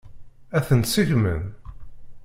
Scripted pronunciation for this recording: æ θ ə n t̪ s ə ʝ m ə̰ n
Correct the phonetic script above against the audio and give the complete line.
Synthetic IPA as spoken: æ θ ə n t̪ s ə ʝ m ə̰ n